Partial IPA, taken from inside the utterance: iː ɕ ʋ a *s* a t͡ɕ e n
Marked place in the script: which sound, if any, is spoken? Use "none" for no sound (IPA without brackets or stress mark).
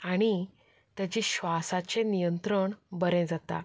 s